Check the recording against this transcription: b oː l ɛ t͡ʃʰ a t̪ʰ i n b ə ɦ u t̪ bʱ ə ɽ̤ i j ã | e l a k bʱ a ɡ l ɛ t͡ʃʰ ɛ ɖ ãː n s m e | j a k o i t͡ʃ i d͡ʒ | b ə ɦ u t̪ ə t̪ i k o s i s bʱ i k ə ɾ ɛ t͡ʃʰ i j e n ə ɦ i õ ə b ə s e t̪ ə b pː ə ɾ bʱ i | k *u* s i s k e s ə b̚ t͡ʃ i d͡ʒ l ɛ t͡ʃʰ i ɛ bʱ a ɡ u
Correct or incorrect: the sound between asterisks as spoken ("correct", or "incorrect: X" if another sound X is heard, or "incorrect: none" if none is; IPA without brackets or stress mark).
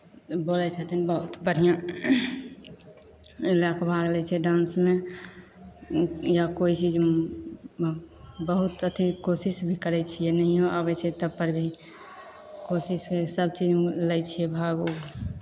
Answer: incorrect: o